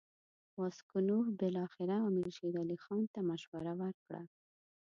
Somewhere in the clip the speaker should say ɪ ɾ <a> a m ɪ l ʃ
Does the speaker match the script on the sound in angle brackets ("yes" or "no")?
yes